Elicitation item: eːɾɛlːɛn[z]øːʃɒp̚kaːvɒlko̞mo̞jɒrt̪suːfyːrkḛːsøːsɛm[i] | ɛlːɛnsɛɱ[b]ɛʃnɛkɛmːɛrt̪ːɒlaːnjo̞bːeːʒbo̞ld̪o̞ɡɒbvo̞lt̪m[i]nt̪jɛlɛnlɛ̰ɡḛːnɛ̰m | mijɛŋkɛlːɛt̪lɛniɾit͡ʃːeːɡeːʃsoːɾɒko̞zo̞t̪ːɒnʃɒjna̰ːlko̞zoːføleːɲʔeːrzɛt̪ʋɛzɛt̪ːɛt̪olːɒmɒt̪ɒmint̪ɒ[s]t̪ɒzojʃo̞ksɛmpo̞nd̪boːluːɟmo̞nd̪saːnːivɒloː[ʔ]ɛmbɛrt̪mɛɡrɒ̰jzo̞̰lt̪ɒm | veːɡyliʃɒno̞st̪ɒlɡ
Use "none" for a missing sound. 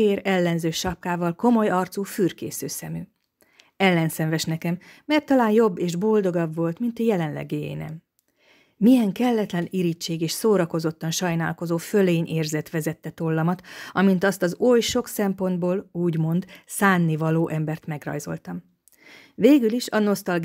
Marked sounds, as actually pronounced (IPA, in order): z, y, v, i, s, ʔ

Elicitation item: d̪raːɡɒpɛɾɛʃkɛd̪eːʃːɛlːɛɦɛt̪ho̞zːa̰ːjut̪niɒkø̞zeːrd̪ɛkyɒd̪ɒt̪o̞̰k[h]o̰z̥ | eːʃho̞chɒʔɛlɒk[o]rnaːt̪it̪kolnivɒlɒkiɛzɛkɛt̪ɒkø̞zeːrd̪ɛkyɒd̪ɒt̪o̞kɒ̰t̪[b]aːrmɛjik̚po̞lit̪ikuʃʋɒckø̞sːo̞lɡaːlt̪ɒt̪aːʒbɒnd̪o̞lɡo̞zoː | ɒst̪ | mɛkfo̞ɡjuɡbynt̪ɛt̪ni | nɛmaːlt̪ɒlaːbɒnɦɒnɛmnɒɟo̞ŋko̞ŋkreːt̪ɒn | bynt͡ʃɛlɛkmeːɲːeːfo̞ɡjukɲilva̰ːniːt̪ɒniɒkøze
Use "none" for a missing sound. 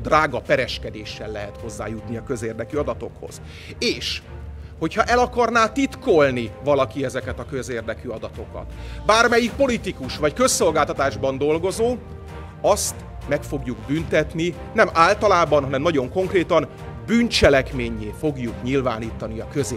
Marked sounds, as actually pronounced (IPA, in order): h, ɒ, b

